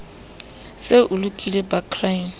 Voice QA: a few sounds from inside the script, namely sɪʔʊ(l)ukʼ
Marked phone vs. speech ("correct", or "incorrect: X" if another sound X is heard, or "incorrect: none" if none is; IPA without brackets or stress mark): correct